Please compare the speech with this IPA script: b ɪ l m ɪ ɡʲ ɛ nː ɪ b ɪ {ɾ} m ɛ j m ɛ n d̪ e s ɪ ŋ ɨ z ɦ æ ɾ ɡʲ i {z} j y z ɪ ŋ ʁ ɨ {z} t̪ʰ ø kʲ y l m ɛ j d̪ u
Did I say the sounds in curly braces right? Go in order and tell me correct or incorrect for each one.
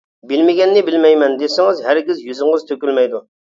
incorrect, correct, correct

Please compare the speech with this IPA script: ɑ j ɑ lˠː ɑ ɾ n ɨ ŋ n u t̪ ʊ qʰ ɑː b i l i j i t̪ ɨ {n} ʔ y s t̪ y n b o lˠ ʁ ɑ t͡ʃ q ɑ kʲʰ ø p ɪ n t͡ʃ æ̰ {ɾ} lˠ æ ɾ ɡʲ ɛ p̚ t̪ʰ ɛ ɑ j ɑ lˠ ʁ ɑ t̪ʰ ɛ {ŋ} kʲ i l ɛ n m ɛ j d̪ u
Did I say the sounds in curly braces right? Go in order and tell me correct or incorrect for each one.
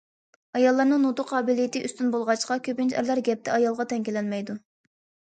incorrect, correct, correct

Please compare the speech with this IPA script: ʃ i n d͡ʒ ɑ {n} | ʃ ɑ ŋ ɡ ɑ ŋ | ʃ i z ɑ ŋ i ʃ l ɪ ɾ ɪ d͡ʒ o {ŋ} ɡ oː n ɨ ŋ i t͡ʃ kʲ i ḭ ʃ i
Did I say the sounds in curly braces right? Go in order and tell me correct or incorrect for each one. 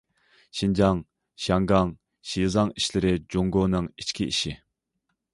incorrect, correct

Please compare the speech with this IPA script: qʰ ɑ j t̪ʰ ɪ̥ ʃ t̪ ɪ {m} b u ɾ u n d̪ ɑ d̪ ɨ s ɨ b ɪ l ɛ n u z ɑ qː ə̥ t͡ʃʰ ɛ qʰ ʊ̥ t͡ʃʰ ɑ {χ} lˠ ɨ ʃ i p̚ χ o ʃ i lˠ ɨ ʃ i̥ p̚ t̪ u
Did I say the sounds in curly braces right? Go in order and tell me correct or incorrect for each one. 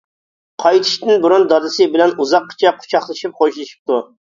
incorrect, correct

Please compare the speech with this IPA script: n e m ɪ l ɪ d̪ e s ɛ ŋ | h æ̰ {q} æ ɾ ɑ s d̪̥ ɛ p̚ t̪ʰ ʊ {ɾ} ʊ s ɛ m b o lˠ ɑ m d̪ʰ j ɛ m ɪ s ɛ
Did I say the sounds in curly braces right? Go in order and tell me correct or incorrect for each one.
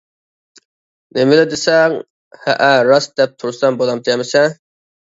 incorrect, correct

